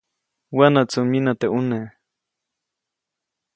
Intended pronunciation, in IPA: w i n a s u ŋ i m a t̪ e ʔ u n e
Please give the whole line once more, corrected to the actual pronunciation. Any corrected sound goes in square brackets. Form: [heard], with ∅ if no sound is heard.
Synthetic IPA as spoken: w [a] n a [t͡s] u [m] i [n] a t̪ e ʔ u n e